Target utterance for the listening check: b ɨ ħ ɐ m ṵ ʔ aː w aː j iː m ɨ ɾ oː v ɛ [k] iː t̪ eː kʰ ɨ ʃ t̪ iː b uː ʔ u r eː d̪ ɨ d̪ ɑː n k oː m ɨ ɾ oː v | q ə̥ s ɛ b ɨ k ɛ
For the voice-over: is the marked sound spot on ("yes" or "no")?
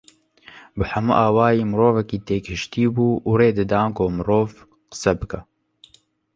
yes